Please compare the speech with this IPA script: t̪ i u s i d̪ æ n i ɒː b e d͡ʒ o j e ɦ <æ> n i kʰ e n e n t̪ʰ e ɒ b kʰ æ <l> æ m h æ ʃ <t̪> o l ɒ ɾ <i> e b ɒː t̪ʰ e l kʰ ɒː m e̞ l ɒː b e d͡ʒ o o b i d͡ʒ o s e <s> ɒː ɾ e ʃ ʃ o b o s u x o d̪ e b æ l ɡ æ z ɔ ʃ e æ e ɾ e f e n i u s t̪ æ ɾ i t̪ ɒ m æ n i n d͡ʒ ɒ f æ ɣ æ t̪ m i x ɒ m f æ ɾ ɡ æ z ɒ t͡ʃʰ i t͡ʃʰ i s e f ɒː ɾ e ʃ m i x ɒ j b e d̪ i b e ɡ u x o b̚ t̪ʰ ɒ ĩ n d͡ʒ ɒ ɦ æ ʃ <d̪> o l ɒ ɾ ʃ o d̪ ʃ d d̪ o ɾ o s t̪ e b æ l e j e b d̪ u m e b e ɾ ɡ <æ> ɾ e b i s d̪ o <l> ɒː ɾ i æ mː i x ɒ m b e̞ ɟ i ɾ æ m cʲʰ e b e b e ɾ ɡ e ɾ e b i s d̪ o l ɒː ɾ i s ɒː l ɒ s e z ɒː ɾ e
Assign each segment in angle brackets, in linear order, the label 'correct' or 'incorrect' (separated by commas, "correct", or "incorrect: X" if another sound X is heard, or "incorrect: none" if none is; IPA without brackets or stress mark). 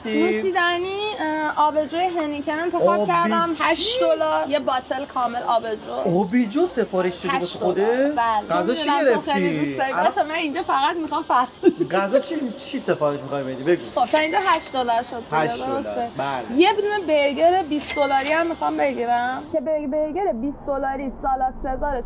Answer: incorrect: e, incorrect: ɾ, incorrect: d̪, incorrect: j, incorrect: f, correct, incorrect: e, correct